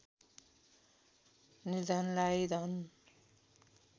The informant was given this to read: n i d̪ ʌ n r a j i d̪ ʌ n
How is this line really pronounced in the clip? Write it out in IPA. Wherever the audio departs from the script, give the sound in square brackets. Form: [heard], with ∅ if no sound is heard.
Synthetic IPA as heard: n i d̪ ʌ n [l] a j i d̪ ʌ n